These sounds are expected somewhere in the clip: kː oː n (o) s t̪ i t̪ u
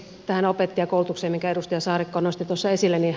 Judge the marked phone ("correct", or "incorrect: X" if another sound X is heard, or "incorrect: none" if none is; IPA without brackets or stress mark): correct